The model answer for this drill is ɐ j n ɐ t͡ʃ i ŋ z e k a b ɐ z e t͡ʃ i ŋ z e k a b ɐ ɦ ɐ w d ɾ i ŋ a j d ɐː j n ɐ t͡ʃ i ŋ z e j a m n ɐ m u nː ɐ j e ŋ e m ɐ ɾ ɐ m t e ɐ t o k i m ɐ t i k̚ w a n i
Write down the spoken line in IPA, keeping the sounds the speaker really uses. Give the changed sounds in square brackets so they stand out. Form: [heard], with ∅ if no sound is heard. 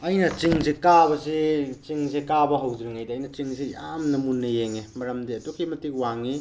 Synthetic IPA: ɐ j n ɐ t͡ʃ i ŋ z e k a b ɐ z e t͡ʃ i ŋ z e k a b ɐ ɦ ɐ w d ɾ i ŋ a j d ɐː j n ɐ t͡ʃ i ŋ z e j a m n ɐ m u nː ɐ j e ŋ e m ɐ ɾ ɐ m [d] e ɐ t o k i m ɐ t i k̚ w a [ŋ] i